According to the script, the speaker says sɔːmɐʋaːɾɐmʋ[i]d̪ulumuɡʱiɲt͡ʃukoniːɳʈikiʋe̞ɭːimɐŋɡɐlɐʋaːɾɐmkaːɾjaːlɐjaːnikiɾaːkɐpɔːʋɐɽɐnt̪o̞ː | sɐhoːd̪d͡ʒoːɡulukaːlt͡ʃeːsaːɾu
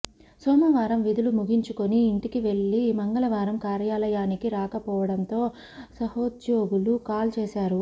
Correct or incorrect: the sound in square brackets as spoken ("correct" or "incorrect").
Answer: correct